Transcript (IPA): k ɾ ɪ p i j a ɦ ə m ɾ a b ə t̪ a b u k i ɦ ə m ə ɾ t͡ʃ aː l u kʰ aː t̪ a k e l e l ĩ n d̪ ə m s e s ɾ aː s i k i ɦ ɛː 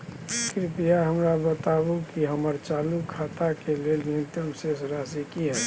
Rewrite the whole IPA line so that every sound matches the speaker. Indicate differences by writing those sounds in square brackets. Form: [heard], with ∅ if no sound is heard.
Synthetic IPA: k ɾ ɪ p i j a ɦ ə m ɾ a b ə t̪ a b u k i ɦ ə m ə ɾ t͡ʃ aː l u kʰ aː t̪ a k e l e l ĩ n [t̪] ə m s e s ɾ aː s i k i ɦ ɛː